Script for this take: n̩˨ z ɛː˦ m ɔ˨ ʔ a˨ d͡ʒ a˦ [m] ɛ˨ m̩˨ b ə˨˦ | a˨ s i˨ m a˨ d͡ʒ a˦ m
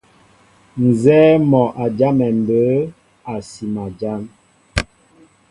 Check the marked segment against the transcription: correct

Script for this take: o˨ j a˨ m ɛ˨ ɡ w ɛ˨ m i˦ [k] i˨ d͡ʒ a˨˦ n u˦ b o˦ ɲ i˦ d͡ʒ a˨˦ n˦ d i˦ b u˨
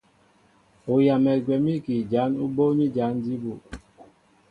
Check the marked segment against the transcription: correct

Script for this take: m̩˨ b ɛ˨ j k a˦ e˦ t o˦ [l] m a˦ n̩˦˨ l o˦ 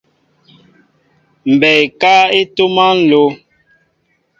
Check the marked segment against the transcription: incorrect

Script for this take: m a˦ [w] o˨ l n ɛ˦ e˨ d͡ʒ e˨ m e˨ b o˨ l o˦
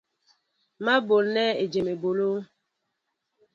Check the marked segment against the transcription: incorrect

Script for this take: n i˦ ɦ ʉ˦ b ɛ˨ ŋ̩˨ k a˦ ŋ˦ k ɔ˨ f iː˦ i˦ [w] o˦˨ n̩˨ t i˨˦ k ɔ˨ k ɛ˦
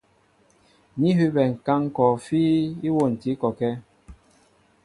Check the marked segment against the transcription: correct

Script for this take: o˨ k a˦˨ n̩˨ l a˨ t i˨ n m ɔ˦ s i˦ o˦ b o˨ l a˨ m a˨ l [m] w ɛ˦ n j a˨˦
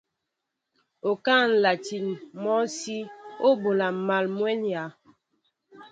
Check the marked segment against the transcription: correct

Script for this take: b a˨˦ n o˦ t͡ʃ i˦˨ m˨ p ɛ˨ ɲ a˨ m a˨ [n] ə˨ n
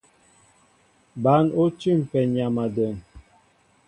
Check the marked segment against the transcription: incorrect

